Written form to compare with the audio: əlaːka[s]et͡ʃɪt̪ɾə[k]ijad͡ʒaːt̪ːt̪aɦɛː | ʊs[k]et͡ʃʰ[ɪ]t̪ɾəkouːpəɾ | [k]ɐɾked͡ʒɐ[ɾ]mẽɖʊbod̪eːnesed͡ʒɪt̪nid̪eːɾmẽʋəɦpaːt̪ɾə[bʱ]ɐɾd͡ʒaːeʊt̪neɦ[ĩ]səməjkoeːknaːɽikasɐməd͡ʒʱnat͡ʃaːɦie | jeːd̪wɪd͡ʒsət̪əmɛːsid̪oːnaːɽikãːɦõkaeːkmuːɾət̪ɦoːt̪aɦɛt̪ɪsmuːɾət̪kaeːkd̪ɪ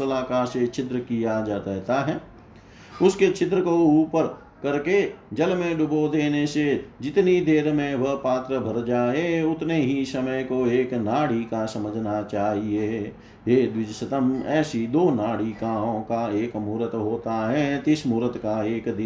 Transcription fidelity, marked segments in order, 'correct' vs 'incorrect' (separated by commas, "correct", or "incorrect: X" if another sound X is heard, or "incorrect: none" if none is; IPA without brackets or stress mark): correct, correct, correct, correct, correct, incorrect: l, correct, incorrect: i